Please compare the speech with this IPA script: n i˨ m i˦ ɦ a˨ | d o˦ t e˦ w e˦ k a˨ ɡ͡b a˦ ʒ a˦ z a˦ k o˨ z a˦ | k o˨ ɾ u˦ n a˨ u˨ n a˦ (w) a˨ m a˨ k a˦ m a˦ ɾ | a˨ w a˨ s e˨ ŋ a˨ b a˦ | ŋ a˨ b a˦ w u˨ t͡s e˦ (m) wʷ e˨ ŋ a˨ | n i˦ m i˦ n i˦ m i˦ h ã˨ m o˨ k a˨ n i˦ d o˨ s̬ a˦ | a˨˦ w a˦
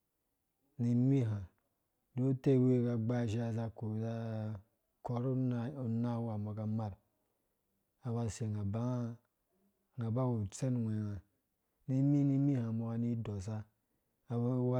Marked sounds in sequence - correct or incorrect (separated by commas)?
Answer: correct, incorrect